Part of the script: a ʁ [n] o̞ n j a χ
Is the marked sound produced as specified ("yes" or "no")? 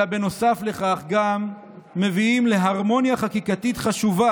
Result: no